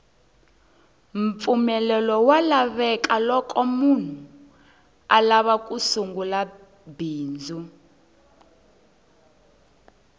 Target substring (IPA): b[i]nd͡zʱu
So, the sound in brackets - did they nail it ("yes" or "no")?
no